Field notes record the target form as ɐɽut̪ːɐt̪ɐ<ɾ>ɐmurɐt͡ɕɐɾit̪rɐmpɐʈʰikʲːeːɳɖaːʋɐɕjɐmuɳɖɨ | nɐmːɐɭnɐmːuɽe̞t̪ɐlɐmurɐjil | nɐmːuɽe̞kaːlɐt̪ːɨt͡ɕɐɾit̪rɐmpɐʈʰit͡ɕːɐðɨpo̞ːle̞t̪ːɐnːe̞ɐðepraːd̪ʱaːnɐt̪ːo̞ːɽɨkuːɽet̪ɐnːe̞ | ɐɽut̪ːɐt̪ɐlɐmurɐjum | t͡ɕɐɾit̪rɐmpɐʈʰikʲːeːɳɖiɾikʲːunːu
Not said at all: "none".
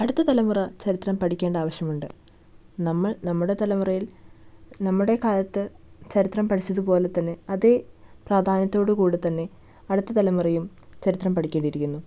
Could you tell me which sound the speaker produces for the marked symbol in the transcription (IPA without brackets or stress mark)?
l